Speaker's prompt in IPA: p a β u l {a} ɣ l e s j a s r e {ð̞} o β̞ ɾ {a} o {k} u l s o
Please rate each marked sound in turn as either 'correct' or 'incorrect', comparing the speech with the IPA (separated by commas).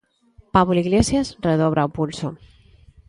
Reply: incorrect, correct, correct, incorrect